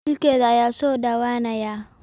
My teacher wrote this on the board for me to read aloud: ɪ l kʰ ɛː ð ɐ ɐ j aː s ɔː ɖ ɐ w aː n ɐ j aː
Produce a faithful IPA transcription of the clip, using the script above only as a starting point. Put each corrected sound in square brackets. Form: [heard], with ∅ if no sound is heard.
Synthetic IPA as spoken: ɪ l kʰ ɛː ð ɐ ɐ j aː s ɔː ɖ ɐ w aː n ɐ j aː